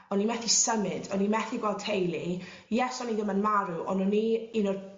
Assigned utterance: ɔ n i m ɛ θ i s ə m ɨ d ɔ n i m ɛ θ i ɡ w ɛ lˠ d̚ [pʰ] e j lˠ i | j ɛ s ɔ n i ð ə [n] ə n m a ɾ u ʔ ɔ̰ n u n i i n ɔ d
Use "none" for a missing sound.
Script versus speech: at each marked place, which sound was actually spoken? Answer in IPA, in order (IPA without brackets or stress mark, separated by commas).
tʰ, m